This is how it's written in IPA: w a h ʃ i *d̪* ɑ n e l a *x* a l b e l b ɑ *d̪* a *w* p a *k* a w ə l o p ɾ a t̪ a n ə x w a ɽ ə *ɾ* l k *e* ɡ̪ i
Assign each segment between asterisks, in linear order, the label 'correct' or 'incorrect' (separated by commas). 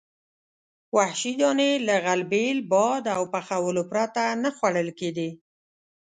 correct, incorrect, correct, correct, incorrect, incorrect, correct